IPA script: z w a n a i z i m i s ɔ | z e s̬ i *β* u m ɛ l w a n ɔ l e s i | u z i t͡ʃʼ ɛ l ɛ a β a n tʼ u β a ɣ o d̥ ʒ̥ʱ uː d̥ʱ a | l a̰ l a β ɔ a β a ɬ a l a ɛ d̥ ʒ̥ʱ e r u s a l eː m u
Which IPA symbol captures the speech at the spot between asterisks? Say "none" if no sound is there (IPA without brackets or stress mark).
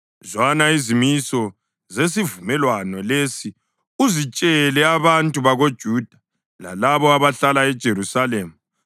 v